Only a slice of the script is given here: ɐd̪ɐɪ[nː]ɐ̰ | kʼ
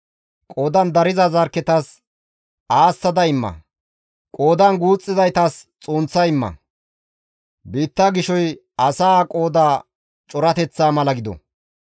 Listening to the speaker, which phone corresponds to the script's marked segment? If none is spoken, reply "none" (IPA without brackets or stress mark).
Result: mː